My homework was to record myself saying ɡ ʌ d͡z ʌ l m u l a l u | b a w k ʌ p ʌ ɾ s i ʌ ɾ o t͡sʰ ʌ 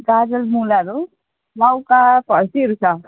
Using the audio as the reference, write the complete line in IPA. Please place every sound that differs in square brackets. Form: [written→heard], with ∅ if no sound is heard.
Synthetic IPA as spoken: ɡ [ʌ→a] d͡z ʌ l m u l a [l→ɾ] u | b a w k [ʌ→a] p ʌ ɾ s i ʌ ɾ [o→u] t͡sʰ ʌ